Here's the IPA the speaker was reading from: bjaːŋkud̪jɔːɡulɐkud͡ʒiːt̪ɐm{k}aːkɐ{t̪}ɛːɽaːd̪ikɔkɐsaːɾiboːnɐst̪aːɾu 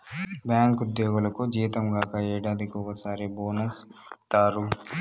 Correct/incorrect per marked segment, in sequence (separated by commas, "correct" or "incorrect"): incorrect, incorrect